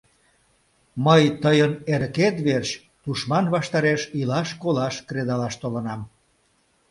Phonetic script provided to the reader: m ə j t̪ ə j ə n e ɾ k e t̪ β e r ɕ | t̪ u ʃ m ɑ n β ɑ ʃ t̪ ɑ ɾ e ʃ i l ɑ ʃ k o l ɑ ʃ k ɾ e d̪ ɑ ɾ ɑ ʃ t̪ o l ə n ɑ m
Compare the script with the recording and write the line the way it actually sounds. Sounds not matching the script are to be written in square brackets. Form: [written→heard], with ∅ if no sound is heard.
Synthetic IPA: m ə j t̪ ə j ə n e ɾ k e t̪ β e r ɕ | t̪ u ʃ m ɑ n β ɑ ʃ t̪ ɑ ɾ e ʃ i l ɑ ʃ k o l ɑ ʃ k ɾ e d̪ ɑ [ɾ→l] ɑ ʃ t̪ o l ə n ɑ m